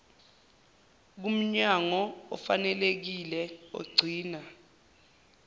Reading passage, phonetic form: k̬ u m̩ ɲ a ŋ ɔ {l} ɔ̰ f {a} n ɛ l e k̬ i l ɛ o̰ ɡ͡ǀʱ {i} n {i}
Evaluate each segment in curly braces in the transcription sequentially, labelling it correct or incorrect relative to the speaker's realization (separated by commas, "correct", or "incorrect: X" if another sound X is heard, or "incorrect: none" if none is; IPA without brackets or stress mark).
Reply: incorrect: none, correct, incorrect: iː, incorrect: a